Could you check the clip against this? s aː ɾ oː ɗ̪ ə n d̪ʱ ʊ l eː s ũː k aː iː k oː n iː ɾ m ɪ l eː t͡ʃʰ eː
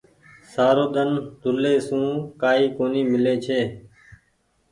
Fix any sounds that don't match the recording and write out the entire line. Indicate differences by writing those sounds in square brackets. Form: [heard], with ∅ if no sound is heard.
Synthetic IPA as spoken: s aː ɾ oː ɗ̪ ə n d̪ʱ ʊ l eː s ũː k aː iː k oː n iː [∅] m ɪ l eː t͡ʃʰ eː